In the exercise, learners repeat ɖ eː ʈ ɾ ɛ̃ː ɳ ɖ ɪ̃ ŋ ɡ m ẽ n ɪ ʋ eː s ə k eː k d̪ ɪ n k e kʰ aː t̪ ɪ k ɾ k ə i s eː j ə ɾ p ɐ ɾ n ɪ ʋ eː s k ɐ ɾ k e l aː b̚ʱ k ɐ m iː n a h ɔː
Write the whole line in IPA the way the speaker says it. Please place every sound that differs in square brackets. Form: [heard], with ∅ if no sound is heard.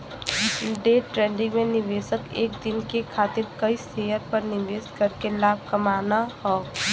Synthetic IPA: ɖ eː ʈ ɾ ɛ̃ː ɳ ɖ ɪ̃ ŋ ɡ m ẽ n ɪ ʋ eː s ə k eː k d̪ ɪ n k e kʰ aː t̪ ɪ [∅] ɾ k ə i s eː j ə ɾ p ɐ ɾ n ɪ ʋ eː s k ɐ ɾ k e l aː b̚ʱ k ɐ m [aː] n a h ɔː